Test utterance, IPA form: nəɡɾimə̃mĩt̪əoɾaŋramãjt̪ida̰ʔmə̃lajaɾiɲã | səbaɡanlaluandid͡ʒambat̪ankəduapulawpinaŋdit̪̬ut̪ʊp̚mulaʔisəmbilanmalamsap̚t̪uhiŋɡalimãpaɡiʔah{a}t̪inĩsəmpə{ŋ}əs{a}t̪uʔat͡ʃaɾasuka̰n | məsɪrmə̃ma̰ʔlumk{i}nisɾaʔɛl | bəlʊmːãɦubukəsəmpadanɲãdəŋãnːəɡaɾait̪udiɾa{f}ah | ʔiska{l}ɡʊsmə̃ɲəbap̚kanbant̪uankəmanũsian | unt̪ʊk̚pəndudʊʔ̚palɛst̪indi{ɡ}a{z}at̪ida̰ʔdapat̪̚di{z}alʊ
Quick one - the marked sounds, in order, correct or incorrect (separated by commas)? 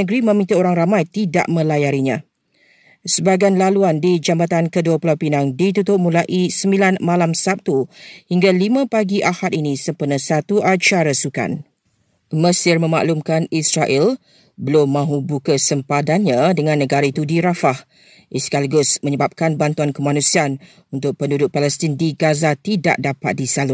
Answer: correct, incorrect, correct, incorrect, correct, correct, correct, correct, incorrect